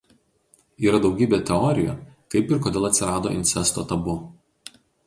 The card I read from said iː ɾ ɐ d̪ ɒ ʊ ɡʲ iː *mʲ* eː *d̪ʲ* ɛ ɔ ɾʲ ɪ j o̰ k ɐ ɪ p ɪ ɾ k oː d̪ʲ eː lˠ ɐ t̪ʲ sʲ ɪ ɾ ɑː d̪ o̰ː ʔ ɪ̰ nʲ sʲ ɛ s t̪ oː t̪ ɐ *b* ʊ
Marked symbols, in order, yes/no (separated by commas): no, no, yes